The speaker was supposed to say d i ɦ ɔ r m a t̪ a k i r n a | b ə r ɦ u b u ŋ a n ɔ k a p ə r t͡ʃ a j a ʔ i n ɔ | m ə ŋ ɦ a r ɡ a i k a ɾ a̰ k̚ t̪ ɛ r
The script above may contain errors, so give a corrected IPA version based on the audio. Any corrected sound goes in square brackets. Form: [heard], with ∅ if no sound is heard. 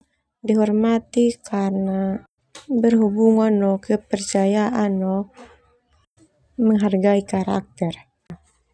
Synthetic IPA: d i ɦ ɔ r m a t̪ [i] k [a] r n a | b ə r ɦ u b u ŋ a n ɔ k [ə] p ə r t͡ʃ a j a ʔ [a] n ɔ | m ə ŋ ɦ a r ɡ a i k a ɾ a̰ k̚ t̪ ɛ r